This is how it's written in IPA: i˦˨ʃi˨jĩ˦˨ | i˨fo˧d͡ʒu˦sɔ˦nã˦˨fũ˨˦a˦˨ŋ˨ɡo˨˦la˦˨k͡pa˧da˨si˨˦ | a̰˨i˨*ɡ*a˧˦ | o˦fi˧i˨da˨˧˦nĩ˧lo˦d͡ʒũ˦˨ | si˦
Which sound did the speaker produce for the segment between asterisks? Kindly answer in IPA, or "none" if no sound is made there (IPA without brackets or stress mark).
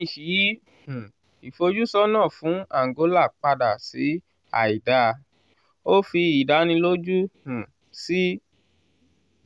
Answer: d